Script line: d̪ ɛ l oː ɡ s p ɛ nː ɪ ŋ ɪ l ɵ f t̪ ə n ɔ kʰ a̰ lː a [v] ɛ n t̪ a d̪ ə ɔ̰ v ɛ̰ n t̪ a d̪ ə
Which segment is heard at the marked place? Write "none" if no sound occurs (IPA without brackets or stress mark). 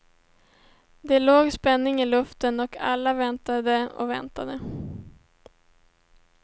v